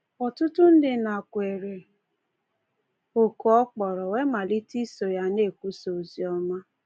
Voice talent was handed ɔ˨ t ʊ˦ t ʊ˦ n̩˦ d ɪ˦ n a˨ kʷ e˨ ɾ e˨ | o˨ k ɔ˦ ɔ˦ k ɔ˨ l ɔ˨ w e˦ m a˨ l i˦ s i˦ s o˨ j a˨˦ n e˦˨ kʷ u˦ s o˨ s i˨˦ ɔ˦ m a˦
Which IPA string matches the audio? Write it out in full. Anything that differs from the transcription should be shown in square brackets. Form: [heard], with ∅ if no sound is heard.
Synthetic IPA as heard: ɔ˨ t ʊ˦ t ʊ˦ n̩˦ d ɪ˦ n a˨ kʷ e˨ ɾ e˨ | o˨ k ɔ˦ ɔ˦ [k͡p] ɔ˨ [ɾ] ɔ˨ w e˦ m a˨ l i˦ [t] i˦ s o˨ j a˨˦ n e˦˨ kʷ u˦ s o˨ [z] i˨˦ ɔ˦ m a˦